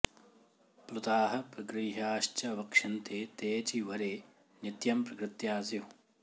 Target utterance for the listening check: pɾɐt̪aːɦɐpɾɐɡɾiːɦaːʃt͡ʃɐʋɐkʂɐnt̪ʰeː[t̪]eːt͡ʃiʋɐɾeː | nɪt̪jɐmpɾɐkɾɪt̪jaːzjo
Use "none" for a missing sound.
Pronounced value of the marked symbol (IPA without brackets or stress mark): t̪